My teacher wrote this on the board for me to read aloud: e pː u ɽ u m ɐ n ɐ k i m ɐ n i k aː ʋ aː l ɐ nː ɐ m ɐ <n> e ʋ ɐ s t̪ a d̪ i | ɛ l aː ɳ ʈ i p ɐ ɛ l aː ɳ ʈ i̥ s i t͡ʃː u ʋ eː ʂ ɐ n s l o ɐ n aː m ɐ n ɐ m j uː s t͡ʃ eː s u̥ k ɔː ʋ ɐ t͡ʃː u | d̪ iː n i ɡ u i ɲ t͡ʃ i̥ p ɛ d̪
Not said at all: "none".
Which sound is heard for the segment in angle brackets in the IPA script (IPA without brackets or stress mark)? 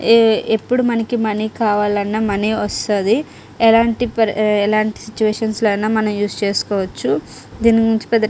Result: n